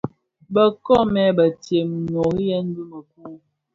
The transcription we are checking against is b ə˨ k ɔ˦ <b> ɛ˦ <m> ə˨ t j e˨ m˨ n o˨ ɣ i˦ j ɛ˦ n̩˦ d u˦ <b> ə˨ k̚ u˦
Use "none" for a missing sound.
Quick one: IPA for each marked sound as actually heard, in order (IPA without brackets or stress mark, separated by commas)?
m, b, m